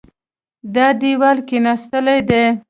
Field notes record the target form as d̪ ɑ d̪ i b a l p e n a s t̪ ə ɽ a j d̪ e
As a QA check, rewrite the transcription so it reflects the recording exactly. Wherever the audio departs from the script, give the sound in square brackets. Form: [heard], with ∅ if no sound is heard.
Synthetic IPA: d̪ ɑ d̪ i [w] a l [k] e n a s t̪ ə [l] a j d̪ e